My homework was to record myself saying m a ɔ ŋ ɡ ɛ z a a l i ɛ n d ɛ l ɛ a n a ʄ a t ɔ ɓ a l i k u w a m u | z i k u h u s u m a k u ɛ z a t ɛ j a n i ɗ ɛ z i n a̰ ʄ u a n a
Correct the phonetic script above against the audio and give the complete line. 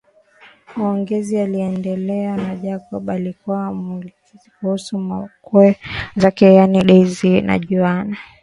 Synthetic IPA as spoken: m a ɔ ŋ ɡ ɛ z i a l i ɛ n d ɛ l ɛ a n a ʄ a k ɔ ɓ a l i k u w a m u | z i k u h u s u m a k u ɛ z a k ɛ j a n i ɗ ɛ z i n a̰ ʄ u a n a